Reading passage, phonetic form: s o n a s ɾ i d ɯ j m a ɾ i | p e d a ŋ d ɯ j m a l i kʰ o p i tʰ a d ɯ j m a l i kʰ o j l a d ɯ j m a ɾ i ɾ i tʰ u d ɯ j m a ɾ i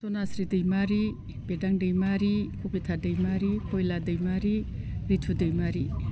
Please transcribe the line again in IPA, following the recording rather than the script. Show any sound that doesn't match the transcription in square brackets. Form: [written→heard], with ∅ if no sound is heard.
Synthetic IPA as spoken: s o n a s ɾ i d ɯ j m a ɾ i | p e d a ŋ d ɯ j m a [l→ɾ] i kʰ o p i tʰ a d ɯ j m a [l→ɾ] i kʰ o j l a d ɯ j m a ɾ i ɾ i tʰ u d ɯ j m a ɾ i

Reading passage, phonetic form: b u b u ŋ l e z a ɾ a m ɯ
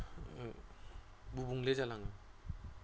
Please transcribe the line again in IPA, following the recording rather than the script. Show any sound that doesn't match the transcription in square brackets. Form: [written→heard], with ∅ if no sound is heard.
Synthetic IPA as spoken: b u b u ŋ l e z a [ɾ→l] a [m→ŋ] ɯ

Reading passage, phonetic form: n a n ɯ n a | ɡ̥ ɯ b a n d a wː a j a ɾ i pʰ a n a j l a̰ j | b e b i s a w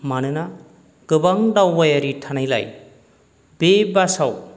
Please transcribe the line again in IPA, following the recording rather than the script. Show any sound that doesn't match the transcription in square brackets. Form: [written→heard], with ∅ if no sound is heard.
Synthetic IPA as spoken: [n→m] a n ɯ n a | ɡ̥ ɯ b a [n→ŋ] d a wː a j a ɾ i [pʰ→tʰ] a n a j l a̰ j | b e b [i→a] s a w

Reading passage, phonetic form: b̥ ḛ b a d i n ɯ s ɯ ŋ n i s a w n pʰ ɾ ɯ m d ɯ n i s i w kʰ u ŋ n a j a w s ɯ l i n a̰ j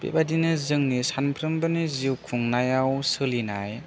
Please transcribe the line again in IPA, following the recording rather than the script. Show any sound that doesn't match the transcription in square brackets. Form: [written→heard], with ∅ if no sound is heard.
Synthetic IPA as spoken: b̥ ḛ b a d i n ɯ [s→z] ɯ ŋ n i s a [w→∅] n pʰ ɾ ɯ m [d→b] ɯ n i [s→z] i w kʰ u ŋ n a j a w s ɯ l i n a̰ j

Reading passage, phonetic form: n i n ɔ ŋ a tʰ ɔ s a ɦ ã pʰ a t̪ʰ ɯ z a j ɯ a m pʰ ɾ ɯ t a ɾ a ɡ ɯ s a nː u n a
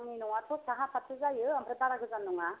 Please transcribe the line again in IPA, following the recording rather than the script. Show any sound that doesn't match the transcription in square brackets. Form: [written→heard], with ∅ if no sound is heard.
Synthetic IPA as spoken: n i n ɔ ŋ a tʰ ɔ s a ɦ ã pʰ a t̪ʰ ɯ z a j ɯ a m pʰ ɾ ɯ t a ɾ a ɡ ɯ [s→z] a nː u [n→ŋ] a

